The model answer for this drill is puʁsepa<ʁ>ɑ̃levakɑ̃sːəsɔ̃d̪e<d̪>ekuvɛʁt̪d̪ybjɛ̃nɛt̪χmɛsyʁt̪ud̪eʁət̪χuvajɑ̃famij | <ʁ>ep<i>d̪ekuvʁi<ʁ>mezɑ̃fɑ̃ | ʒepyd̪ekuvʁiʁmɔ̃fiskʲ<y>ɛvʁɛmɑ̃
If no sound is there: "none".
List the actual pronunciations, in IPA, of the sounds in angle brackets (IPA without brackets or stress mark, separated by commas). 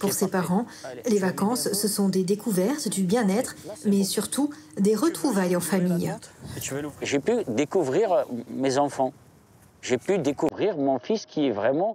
ʁ, d̪, ʒ, y, ʁ, i